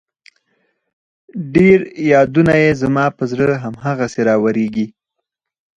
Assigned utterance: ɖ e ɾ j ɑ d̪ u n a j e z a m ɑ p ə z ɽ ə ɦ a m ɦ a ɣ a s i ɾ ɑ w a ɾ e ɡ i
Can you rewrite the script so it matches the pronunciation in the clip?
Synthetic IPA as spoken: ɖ e ɾ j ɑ d̪ u n a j e z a m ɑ p ə z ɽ ə ɦ a m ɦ a ɣ a s e ɾ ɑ w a ɾ e ɡ i

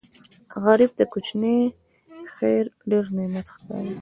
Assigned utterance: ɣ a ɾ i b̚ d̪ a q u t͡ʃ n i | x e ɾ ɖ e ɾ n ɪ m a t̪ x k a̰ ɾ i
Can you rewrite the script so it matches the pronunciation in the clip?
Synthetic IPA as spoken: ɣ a ɾ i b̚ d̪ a k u t͡ʃ n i | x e ɾ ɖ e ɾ n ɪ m a t̪ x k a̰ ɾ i

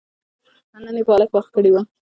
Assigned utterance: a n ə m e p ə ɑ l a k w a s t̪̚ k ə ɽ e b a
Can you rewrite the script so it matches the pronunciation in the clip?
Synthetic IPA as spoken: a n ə n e p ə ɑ l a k w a x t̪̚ k ə ɽ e w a

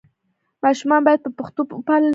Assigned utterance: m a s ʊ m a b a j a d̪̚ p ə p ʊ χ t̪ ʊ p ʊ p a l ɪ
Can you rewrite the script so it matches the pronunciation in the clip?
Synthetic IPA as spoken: m a ʃ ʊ m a b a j a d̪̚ p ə p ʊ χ t̪ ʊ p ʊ p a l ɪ

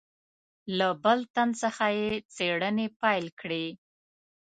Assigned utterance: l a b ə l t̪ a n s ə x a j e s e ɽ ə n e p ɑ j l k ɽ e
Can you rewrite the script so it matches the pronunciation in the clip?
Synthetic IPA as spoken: l a b ə l t̪ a n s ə x a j e t͡s e ɽ ə n e p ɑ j l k ɽ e

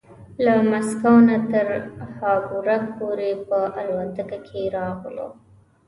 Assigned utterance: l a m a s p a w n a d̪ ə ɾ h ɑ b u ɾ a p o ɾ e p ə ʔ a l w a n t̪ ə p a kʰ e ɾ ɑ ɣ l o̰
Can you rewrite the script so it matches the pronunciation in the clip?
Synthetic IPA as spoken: l a m a s k a w n a t̪ ə ɾ h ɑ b u ɾ a p o ɾ e p ə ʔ a l w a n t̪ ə k a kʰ e ɾ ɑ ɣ l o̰

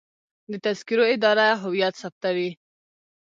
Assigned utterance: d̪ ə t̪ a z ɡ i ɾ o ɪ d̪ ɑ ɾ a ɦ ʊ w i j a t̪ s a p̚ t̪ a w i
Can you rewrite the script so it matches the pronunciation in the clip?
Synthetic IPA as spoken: d̪ ə t̪ a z k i ɾ o ɪ d̪ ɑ ɾ a ɦ ʊ w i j a t̪ s a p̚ t̪ a w i

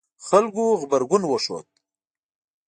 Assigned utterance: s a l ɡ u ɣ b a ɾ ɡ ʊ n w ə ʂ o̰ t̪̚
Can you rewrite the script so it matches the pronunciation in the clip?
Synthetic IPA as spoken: x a l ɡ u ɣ b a ɾ ɡ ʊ n w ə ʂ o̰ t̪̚

